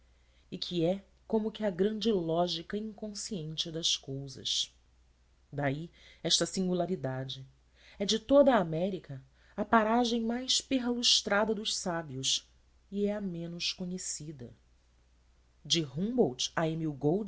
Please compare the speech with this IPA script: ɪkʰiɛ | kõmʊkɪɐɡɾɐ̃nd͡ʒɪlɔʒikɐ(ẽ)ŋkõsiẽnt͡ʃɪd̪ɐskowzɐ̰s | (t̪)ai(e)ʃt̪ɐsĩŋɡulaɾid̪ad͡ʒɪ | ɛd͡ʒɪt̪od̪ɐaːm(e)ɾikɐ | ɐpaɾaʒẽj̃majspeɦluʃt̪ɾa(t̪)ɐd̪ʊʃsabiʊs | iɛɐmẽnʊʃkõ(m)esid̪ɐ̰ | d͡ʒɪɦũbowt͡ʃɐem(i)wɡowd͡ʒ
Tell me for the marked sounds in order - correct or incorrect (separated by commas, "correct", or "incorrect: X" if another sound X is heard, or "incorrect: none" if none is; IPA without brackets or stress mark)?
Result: incorrect: ĩ, incorrect: d̪, incorrect: ɛ, incorrect: ɛ, incorrect: d̪, incorrect: ɲ, correct